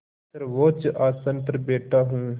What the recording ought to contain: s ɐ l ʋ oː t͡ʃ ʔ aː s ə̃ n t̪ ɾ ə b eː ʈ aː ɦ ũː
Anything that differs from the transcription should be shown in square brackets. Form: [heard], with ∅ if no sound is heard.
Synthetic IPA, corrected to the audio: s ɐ [ɾ] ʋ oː t͡ʃ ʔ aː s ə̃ n t̪ ɾ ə b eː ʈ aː ɦ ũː